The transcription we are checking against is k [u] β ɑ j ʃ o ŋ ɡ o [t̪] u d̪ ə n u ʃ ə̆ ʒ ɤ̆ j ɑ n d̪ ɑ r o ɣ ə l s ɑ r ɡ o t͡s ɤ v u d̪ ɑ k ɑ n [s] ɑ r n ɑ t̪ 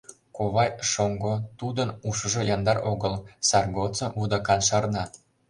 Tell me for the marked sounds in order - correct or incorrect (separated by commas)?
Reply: incorrect, correct, incorrect